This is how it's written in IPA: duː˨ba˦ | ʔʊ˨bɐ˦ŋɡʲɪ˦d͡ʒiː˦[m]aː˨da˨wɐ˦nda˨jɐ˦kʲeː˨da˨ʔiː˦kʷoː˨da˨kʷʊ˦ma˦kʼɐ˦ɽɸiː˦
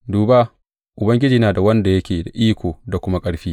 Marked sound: incorrect: n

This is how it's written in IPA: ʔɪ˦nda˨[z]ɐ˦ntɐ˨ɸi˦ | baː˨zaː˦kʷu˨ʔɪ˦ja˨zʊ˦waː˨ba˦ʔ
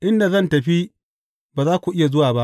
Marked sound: correct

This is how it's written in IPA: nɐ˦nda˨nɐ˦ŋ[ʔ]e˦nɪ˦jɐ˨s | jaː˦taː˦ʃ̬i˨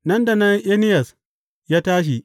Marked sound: correct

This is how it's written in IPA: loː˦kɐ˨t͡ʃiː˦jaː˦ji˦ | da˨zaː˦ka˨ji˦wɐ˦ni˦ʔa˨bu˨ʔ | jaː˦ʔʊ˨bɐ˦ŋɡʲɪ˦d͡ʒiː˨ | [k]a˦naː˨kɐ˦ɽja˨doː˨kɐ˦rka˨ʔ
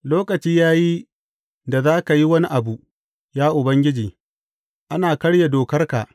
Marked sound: incorrect: ʔ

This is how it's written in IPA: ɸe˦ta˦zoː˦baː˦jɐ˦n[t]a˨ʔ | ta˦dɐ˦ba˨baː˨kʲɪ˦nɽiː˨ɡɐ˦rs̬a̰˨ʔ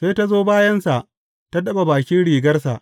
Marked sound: incorrect: s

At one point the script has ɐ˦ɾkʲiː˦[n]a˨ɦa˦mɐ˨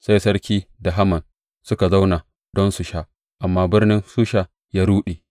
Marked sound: incorrect: d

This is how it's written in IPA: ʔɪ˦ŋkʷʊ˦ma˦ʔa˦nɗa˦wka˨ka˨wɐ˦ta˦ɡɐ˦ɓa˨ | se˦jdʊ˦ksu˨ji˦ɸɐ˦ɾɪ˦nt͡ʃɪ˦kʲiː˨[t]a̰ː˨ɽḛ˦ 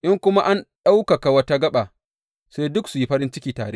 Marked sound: correct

